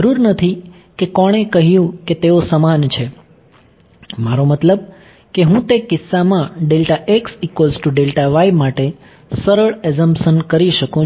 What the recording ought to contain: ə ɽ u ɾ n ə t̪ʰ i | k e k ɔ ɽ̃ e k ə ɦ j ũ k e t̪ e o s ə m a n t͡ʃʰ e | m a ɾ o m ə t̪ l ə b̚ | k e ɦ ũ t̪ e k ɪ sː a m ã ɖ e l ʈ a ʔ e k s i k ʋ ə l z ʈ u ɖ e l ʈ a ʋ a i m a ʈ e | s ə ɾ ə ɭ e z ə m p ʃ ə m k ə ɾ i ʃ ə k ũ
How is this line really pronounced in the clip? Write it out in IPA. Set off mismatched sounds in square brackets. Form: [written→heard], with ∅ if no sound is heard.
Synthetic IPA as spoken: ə [ɽ→ɾ] u ɾ n ə t̪ʰ i | k e k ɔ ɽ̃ e k ə ɦ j ũ k e t̪ e o s ə m a n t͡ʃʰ e | m a ɾ o m ə t̪ l ə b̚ | k e ɦ ũ t̪ e k ɪ sː a m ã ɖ e l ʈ a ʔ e k s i k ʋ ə l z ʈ u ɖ e l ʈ a ʋ a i m a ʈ e | s ə ɾ ə ɭ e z ə m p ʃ ə [m→n] k ə ɾ i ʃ ə k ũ